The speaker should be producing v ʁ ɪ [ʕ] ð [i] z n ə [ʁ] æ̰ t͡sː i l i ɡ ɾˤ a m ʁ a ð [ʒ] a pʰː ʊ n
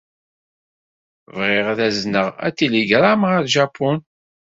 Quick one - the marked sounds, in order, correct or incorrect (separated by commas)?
incorrect, incorrect, correct, correct